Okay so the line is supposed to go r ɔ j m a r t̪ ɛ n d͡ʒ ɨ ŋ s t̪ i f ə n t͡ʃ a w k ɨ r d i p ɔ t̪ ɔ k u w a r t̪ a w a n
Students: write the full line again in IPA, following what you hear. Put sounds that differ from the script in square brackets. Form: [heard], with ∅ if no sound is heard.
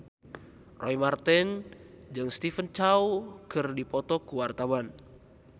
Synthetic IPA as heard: r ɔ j m a r t̪ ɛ n d͡ʒ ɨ ŋ s t̪ i f ə n t͡ʃ a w k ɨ r d i p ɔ t̪ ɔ k u w a r t̪ a w a n